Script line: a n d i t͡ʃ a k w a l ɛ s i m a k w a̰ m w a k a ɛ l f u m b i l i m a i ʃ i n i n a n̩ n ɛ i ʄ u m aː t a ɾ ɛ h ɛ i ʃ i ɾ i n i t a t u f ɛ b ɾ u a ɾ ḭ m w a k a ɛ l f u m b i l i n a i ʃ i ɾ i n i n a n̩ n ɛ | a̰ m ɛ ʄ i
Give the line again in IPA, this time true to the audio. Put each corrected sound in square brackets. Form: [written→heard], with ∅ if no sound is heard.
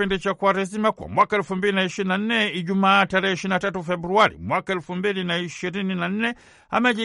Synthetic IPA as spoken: [a→i] n d i t͡ʃ a k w a [l→ɾ] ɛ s i m a k w a̰ m w a k a ɛ l f u m b i l i [m→n] a i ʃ i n i n a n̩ n ɛ i ʄ u m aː t a ɾ ɛ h ɛ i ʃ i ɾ i n [i→a] t a t u f ɛ b ɾ u a ɾ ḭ m w a k a ɛ l f u m b i l i n a i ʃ i ɾ i n i n a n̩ n ɛ | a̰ m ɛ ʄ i